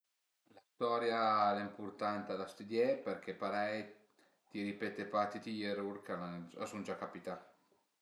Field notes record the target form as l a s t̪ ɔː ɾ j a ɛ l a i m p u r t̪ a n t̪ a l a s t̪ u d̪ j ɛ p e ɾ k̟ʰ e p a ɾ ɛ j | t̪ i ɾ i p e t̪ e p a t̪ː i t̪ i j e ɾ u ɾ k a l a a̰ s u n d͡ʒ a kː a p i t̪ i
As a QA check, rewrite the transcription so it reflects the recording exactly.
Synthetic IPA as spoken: l a s t̪ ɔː ɾ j a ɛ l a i m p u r t̪ a n t̪ a l a s t̪ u d̪ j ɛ p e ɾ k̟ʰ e p a ɾ ɛ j | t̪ i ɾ i p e t̪ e p a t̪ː i t̪ i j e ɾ u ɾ k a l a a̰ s u n d͡ʒ a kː a p i t̪ a